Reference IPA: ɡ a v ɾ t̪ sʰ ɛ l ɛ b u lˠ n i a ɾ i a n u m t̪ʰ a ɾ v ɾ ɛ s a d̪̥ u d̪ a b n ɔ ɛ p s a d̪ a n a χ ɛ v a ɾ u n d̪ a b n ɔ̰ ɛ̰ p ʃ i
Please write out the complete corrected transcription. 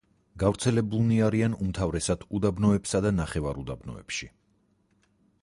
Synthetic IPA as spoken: ɡ a v ɾ t̪ sʰ ɛ l ɛ b u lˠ n i a ɾ i a n u m t̪ʰ a v ɾ ɛ s a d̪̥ u d̪ a b n ɔ ɛ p s a d̪ a n a χ ɛ v a ɾ u d̪ a b n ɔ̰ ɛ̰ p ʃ i